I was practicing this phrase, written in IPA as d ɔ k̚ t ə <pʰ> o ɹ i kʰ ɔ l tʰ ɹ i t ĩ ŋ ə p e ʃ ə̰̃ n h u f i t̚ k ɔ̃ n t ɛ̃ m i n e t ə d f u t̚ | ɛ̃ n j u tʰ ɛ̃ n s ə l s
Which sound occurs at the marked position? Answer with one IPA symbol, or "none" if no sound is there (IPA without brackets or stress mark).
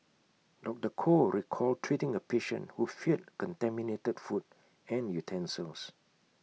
kʰ